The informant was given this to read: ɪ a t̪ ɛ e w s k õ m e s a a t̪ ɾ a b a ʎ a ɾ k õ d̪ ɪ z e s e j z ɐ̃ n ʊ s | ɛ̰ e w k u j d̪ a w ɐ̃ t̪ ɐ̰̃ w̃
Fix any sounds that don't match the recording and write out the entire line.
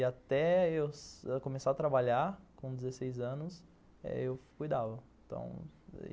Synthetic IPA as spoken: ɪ a t̪ ɛ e w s k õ m e s a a t̪ ɾ a b a ʎ a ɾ k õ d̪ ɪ z e s e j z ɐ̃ n ʊ s | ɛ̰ e w k u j d̪ a v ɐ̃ t̪ ɐ̰̃ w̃